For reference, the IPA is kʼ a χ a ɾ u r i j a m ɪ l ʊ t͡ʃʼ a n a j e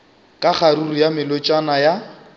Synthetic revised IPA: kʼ a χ a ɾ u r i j a m ɪ l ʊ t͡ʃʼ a n a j a